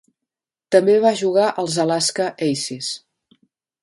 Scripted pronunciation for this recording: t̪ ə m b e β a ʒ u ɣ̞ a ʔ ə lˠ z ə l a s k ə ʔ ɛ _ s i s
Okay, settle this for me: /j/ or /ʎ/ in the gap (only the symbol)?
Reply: j